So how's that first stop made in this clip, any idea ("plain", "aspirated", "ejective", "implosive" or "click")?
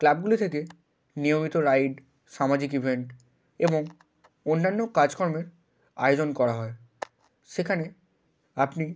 plain